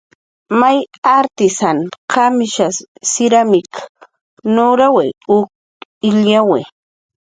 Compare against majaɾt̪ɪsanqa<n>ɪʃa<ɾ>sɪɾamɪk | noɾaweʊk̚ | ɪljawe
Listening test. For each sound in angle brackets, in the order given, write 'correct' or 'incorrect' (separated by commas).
incorrect, incorrect